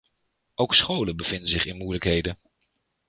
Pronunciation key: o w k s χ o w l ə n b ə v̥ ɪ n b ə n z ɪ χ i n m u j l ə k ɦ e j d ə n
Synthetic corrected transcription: o w k s χ o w l ə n b ə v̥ ɪ n d ə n z ɪ χ ɪ n m u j l ə k ɦ e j d ə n